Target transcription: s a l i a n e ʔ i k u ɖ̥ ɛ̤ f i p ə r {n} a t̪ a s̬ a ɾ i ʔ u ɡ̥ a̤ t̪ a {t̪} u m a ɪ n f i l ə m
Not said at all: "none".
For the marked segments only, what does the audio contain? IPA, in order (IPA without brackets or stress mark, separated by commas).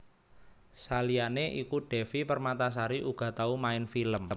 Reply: m, none